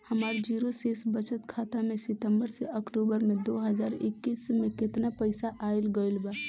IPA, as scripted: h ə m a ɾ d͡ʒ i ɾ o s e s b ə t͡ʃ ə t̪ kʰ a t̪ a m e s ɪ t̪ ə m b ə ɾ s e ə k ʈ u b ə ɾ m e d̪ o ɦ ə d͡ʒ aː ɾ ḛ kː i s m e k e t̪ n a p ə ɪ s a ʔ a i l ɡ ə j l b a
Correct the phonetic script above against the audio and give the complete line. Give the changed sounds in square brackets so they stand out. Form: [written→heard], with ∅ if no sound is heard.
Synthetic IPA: h ə m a ɾ d͡ʒ i ɾ o s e s b ə t͡ʃ ə t̪ kʰ a t̪ a m e s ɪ t̪ ə m b ə ɾ s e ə k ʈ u b ə ɾ m e d̪ o ɦ ə d͡ʒ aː ɾ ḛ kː i s m e k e t̪ n a p ə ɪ s a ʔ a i l ɡ ə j l b a